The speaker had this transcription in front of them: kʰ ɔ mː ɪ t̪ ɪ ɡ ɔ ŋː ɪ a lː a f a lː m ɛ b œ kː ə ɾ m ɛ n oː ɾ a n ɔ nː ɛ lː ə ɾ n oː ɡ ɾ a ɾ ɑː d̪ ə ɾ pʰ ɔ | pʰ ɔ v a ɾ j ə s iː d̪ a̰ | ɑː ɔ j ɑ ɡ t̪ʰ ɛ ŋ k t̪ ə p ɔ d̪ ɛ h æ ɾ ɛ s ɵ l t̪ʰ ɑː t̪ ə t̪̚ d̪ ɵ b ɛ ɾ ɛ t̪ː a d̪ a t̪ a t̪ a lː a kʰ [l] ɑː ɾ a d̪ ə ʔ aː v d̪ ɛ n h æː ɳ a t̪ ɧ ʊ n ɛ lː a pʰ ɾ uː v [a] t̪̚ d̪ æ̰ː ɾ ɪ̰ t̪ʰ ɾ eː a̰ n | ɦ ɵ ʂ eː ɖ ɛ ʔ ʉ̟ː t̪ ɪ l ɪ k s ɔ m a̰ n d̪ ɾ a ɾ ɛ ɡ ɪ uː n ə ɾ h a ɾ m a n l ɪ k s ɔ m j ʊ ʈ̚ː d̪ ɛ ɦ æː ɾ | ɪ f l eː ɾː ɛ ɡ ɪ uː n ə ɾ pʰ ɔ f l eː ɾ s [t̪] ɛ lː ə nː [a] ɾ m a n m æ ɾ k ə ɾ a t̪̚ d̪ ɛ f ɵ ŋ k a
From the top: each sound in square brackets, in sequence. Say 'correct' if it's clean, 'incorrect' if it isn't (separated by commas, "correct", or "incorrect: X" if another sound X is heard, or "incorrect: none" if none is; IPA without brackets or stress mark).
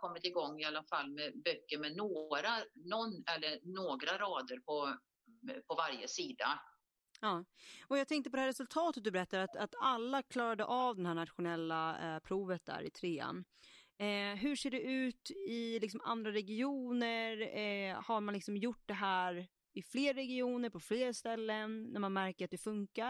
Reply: correct, incorrect: ə, correct, incorrect: æ